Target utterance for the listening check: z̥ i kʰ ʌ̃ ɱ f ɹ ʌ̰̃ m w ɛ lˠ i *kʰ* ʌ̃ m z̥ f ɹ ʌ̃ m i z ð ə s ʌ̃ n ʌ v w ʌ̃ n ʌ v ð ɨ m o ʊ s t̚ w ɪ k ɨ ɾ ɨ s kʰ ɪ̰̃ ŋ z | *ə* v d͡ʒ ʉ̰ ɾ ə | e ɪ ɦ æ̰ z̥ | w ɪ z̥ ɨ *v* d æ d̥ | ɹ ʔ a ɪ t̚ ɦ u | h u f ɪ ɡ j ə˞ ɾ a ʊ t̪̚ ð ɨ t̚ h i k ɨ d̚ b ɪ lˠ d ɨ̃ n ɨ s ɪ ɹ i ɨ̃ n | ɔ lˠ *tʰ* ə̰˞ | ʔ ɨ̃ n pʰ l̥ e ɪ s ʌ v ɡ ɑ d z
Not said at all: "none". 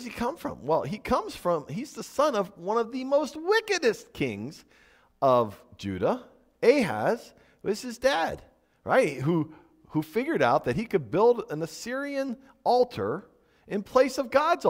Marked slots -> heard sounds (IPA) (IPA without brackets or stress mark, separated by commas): kʰ, ʌ, z, tʰ